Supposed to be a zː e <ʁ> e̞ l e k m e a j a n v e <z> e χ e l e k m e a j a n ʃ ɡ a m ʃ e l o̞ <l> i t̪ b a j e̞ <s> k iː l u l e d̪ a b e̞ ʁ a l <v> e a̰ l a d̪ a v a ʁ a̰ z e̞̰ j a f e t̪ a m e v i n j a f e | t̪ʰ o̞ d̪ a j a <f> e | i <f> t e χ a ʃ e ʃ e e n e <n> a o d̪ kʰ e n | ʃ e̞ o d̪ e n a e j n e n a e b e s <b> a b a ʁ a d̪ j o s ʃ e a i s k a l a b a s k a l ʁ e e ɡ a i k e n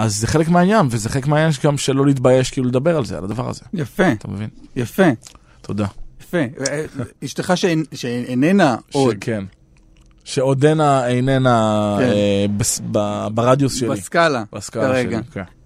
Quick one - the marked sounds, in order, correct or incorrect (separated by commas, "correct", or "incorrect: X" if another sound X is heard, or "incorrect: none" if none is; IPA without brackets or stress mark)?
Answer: incorrect: χ, correct, correct, incorrect: ʃ, incorrect: z, correct, incorrect: ʃ, correct, correct